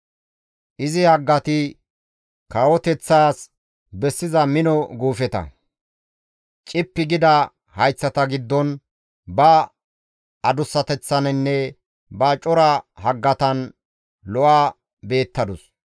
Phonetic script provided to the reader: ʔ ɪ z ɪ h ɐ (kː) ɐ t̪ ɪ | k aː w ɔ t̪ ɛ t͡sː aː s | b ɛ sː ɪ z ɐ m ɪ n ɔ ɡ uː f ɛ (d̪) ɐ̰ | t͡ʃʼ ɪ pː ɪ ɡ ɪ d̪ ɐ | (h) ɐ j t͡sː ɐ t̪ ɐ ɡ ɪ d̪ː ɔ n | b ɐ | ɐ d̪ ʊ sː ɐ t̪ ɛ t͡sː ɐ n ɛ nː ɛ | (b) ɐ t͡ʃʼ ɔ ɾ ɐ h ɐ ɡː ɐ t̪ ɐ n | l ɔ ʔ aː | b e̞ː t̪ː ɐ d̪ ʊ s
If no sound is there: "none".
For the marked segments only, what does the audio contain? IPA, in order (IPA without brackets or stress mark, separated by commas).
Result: ɡː, t̪, h, b